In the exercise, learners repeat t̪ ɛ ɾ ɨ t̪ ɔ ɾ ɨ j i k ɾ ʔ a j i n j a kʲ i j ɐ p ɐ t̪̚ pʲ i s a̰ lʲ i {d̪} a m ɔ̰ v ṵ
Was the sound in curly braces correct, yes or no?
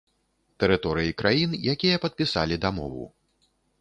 yes